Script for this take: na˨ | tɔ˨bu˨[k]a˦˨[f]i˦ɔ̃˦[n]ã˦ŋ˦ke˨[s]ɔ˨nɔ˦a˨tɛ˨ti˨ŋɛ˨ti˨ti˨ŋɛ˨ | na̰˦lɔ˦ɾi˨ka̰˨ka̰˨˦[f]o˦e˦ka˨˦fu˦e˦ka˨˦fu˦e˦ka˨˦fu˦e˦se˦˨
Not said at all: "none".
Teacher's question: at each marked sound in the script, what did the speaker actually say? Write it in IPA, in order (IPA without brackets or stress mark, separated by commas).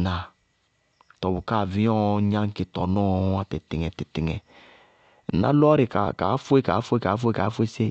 k, v, ɲ, t, f